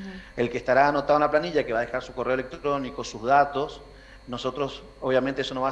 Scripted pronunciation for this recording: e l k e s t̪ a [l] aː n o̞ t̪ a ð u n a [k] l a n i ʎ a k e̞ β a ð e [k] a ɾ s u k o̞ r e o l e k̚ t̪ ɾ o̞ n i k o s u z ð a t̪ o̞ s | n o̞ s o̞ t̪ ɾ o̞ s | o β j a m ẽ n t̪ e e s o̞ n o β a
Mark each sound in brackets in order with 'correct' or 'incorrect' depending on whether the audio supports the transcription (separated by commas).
incorrect, incorrect, incorrect